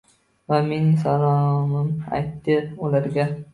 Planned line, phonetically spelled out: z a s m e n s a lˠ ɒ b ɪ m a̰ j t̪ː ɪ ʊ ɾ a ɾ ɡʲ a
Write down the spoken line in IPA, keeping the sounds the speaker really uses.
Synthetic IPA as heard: v a m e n s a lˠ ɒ m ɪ m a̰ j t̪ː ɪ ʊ l a ɾ ɡʲ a